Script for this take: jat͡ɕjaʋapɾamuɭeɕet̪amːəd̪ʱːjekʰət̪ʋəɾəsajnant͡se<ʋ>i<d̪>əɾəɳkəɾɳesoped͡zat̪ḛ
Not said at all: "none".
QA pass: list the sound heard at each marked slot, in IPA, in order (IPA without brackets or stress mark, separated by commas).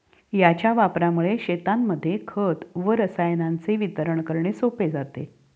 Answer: ʋ, t̪